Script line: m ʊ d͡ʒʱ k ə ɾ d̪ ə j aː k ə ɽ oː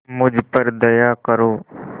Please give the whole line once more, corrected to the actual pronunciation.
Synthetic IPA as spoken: m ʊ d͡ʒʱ p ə ɾ d̪ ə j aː k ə ɾ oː